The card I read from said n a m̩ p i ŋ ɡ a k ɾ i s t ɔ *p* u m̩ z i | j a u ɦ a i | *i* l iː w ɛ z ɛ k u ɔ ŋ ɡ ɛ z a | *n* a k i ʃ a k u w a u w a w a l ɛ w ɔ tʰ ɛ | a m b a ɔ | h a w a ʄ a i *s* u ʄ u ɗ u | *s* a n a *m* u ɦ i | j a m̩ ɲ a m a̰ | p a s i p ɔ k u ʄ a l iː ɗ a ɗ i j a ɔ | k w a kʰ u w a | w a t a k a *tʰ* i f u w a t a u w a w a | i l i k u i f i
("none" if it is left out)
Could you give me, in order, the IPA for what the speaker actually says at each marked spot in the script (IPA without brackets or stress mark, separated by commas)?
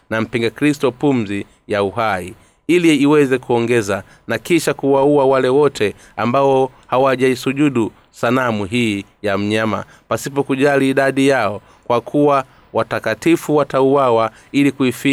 p, i, n, s, s, m, t